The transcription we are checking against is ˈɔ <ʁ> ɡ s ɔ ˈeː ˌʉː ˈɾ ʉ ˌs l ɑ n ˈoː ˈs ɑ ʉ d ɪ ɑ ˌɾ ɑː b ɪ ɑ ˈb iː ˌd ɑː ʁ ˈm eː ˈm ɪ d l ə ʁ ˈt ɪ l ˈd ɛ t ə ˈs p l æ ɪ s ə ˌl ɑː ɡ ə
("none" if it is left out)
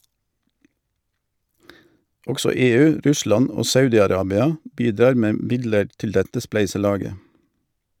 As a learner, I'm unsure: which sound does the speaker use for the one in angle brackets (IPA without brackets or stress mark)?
none